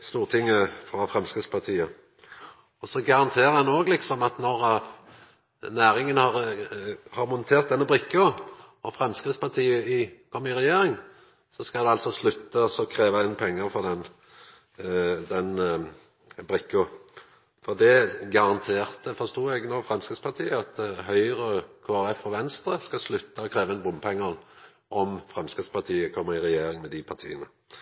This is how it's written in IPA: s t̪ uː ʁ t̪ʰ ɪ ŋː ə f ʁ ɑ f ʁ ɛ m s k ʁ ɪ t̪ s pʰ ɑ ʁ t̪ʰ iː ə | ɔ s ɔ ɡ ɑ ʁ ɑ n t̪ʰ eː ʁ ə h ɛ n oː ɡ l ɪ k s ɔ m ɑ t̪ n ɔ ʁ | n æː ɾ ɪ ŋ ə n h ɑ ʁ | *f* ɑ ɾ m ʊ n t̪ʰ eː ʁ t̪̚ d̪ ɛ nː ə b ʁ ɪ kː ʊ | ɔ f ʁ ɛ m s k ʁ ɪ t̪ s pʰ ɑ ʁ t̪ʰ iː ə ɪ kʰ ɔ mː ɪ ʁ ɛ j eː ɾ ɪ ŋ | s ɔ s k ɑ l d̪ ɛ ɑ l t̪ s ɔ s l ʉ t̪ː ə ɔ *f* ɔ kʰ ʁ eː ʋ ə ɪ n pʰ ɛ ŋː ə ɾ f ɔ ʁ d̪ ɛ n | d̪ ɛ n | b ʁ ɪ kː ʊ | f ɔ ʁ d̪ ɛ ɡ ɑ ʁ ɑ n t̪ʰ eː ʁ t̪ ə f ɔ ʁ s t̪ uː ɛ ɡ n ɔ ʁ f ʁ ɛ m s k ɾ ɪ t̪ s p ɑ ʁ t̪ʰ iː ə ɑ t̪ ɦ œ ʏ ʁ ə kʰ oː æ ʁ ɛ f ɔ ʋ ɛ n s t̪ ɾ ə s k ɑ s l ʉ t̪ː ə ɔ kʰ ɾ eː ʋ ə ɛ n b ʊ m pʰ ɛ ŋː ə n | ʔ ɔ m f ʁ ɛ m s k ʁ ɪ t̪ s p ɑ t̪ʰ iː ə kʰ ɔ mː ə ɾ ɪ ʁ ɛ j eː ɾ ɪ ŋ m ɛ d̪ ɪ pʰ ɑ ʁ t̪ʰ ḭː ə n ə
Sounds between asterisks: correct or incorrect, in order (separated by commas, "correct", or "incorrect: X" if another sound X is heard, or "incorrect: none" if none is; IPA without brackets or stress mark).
incorrect: h, incorrect: s